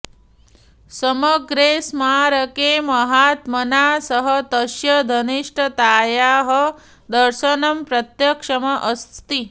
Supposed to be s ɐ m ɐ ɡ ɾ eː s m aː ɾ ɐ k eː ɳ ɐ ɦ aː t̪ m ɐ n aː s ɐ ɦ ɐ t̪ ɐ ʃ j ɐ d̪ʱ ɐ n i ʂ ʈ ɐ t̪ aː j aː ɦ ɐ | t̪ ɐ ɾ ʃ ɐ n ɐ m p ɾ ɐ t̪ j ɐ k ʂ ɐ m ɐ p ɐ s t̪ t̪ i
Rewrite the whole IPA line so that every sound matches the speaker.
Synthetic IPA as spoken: s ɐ m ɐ ɡ ɾ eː s m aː ɾ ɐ k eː m ɐ ɦ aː t̪ m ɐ n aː s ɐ ɦ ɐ t̪ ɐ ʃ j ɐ d̪ʱ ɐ n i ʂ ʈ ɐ t̪ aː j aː ɦ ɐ | d̪ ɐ ɾ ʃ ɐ n ɐ m p ɾ ɐ t̪ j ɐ k ʂ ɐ m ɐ ʔ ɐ s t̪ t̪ i